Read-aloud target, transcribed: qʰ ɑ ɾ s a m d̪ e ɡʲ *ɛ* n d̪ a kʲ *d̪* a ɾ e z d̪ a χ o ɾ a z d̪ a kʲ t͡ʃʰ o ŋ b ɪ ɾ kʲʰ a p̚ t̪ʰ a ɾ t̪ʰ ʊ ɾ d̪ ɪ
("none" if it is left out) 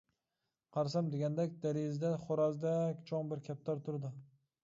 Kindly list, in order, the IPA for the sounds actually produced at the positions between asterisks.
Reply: a, d̪

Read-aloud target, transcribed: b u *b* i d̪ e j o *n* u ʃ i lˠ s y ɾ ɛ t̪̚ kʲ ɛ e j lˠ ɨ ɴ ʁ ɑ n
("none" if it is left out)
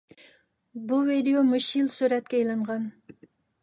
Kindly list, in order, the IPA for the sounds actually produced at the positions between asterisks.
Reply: v, m

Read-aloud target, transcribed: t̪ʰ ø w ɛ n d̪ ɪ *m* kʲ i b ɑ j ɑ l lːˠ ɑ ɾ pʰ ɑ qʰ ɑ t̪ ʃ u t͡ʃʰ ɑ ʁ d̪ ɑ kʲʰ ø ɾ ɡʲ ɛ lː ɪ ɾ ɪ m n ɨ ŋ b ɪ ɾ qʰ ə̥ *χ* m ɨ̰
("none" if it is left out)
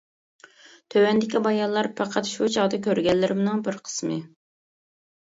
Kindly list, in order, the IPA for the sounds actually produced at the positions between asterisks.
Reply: none, s

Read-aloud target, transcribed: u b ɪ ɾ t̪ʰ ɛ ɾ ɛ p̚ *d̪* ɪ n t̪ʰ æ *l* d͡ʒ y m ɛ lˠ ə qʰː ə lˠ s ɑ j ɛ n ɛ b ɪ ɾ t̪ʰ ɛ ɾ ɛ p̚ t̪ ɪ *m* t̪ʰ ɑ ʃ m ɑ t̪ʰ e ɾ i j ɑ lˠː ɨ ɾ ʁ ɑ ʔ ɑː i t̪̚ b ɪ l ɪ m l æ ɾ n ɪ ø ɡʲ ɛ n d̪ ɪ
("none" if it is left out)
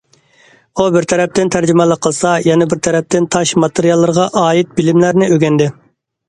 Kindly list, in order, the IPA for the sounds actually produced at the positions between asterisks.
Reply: t̪, ɾ, n

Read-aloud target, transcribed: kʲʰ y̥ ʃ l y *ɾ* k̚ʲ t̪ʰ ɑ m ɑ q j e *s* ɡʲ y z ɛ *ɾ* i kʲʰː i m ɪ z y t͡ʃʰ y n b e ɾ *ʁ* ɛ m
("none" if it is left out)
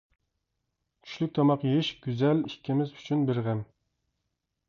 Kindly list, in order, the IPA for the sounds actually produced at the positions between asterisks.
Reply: none, ʃ, l, ʁ

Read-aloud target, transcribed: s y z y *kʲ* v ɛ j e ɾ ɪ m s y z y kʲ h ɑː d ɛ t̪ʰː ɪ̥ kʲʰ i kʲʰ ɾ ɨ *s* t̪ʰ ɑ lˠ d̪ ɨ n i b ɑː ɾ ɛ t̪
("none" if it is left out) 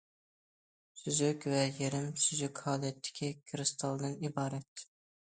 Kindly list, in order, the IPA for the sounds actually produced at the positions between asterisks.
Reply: kʲ, s

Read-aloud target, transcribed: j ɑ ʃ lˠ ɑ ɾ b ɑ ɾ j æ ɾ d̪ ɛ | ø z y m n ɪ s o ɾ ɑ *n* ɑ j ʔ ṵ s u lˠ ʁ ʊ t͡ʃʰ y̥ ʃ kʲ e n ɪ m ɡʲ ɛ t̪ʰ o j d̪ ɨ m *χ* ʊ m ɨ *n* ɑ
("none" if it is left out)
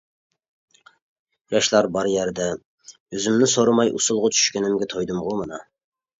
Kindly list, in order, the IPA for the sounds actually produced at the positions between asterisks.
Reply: m, ʁ, n

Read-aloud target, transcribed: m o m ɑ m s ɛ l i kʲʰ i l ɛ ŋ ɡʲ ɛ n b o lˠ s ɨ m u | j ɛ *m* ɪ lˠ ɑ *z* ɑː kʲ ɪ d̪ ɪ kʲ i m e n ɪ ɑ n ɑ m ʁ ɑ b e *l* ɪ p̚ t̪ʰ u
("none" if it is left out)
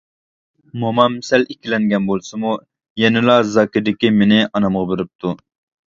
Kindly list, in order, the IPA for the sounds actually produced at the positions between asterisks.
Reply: n, z, ɾ

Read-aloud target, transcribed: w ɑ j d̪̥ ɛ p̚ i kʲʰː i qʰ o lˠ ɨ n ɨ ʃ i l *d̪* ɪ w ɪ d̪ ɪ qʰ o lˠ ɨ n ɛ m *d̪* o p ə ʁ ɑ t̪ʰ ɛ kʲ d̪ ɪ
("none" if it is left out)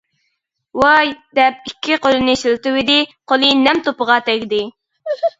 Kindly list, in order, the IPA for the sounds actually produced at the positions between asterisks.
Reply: t̪, t̪

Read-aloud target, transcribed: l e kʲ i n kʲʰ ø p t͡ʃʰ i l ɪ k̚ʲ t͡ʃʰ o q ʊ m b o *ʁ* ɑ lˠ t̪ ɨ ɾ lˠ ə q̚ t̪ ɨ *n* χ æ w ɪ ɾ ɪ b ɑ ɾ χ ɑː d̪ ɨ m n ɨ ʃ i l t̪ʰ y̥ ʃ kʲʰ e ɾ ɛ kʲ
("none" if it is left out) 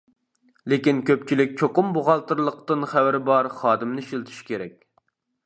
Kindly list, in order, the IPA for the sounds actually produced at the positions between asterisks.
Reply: ʁ, n

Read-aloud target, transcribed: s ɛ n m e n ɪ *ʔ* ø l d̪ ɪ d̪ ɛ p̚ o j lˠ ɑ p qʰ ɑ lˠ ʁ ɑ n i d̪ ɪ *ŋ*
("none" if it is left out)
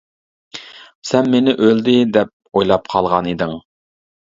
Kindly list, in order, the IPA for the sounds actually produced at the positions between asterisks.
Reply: ʔ, ŋ

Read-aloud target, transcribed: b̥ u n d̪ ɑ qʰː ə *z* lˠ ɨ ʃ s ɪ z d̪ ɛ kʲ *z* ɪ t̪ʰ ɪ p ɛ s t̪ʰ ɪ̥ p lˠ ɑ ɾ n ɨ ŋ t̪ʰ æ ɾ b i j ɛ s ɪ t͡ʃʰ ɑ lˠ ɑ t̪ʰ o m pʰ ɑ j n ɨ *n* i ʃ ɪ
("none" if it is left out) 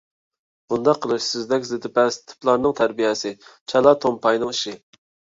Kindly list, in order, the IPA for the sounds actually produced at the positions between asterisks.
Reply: none, z, ŋ

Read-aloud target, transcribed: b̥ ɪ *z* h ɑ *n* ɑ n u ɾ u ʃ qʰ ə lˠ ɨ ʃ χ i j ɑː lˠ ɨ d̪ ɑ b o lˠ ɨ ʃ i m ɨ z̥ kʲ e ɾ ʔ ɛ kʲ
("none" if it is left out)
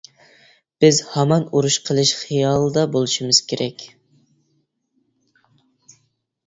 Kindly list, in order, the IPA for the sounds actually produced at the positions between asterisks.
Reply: z, m

